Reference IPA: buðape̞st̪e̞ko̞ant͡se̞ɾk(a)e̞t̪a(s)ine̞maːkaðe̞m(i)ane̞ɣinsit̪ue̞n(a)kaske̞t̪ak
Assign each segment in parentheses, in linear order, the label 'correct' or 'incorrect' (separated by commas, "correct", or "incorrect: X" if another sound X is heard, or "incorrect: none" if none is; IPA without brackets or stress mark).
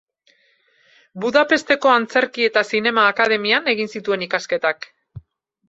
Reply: incorrect: i, correct, correct, incorrect: i